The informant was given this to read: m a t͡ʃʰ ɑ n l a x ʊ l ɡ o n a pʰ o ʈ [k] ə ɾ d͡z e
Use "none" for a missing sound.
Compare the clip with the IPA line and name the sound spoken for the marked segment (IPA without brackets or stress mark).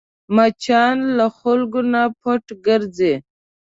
ɡ